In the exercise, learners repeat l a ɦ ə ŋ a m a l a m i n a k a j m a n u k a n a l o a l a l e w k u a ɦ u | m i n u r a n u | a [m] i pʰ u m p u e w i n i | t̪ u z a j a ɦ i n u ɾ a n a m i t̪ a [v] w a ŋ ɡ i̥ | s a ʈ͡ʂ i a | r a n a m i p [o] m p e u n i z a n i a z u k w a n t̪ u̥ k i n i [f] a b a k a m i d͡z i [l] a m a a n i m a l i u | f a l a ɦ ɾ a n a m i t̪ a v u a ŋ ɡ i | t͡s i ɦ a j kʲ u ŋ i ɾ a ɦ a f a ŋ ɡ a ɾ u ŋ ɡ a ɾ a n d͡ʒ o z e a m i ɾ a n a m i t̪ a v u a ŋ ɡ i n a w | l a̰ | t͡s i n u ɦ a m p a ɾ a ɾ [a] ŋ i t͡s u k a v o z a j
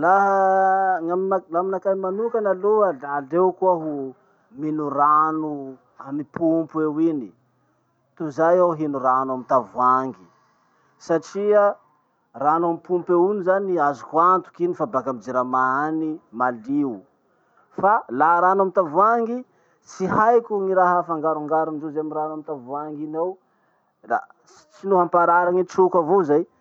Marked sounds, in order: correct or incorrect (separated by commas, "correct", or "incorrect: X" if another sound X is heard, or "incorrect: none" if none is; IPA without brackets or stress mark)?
correct, correct, incorrect: u, correct, incorrect: ɾ, correct